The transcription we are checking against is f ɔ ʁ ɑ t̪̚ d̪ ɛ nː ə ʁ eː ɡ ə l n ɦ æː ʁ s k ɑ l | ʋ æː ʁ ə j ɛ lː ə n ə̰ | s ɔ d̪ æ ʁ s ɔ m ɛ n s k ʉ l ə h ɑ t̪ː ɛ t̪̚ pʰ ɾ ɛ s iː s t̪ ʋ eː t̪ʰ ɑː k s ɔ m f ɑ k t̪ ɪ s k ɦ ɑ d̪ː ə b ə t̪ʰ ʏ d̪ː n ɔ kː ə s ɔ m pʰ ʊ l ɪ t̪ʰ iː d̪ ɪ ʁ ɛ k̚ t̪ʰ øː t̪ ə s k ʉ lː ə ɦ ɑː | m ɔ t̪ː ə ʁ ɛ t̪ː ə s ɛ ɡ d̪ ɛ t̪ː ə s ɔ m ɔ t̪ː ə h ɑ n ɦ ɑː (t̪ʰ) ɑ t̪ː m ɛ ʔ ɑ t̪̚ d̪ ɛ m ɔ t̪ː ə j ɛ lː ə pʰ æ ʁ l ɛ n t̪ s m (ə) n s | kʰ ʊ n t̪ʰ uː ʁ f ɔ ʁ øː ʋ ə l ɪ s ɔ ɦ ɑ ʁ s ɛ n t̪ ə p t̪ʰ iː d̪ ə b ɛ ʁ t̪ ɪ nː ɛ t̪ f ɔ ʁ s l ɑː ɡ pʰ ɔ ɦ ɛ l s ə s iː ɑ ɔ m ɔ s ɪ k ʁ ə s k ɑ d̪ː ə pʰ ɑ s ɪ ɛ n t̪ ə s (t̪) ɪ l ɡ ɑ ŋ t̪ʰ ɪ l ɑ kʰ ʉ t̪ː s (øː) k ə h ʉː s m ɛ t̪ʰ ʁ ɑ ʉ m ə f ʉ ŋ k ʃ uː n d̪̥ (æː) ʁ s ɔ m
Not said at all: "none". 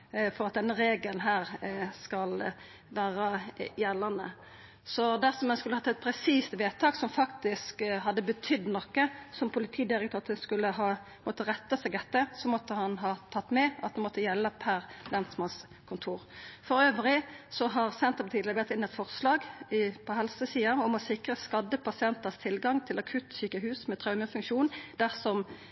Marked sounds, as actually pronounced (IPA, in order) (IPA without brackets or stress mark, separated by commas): t̪ʰ, ɑ, t̪ʰ, yː, æ